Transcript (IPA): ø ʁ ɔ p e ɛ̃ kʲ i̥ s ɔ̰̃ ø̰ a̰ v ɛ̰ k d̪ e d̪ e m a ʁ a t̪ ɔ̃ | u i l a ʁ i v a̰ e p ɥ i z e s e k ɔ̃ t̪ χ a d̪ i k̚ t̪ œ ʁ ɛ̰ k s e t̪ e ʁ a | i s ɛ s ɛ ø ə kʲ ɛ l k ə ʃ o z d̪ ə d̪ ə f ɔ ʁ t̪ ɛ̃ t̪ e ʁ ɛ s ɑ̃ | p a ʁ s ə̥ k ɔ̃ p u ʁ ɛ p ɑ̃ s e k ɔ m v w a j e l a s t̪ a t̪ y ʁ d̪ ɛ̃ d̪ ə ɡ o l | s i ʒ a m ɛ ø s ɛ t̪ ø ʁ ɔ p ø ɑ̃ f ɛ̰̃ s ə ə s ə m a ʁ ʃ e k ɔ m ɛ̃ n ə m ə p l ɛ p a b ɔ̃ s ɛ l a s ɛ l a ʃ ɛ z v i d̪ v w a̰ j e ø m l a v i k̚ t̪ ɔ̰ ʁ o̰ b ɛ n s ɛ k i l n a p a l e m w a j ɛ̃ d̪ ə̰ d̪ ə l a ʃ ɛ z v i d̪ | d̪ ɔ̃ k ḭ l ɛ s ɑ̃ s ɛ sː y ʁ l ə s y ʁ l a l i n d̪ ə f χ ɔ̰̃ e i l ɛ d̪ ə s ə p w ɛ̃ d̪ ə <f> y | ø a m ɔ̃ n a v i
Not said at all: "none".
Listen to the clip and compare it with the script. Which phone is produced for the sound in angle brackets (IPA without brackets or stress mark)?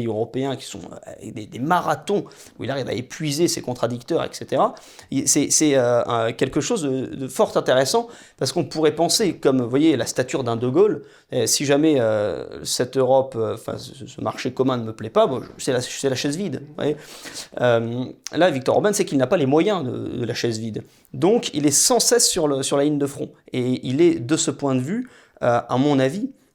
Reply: v